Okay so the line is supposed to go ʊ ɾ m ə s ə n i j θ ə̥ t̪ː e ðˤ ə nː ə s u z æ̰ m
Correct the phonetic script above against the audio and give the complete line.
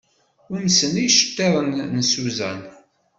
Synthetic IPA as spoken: ʊ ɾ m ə s ə n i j ʃ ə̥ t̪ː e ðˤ ə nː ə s u z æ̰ n